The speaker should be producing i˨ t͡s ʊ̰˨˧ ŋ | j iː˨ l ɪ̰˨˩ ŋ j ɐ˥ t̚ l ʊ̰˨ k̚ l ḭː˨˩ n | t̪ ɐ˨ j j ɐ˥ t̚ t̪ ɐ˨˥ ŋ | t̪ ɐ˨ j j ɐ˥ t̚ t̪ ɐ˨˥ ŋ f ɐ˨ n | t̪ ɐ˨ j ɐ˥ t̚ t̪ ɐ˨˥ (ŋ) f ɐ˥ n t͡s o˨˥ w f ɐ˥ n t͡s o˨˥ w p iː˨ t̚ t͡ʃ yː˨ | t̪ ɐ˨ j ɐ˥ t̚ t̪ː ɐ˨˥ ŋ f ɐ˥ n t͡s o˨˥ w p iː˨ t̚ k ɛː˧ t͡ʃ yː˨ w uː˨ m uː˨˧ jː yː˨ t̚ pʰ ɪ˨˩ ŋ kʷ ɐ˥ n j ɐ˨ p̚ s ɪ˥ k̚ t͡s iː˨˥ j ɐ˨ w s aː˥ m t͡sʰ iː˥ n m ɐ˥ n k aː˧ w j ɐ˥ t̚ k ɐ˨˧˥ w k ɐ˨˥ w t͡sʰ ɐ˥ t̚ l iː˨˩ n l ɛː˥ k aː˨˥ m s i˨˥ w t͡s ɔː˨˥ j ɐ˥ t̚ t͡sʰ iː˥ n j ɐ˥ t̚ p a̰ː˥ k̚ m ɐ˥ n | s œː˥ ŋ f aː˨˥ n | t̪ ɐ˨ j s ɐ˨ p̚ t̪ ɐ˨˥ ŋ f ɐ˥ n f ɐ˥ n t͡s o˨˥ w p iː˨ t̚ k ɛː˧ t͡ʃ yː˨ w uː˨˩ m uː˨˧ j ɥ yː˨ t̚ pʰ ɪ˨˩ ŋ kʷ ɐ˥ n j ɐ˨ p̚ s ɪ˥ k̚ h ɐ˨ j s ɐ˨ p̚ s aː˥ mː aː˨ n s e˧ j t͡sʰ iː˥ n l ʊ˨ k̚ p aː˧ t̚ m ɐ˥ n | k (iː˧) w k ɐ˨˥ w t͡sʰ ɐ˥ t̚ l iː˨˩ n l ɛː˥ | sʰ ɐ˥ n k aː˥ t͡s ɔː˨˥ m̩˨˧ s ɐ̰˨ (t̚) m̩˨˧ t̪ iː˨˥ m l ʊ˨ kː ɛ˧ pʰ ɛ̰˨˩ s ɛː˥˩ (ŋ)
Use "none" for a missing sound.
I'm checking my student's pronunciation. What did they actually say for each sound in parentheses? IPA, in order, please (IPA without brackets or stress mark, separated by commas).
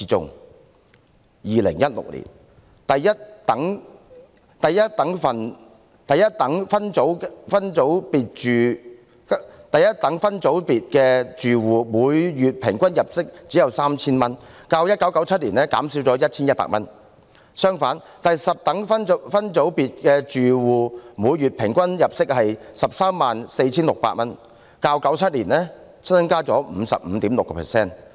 ŋ, aː˧, p̚, n